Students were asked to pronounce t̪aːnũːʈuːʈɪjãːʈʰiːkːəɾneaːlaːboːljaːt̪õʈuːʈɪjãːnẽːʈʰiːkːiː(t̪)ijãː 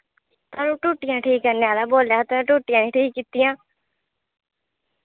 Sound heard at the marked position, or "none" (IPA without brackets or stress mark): t̪